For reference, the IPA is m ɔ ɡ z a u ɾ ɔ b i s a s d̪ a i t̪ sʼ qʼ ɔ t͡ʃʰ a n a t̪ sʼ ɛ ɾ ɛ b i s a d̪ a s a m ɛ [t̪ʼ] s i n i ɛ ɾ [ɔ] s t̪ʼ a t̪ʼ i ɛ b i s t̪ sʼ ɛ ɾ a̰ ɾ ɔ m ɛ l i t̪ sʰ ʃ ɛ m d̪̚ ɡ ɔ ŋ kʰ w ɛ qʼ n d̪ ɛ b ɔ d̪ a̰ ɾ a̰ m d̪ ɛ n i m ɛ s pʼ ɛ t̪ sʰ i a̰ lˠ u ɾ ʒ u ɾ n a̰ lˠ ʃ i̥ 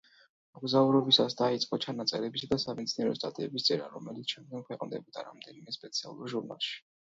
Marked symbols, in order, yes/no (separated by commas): no, yes